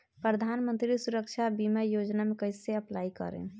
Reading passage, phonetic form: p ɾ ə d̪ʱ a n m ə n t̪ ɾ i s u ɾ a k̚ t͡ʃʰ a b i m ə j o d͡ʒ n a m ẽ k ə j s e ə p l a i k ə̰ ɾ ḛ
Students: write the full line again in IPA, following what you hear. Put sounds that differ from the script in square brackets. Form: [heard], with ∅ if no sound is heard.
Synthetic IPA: p ɾ ə d̪ʱ a n m ə n t̪ ɾ i s u ɾ [ə] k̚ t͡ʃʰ a b i m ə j o d͡ʒ n a m [e] k ə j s e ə p l a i k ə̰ ɾ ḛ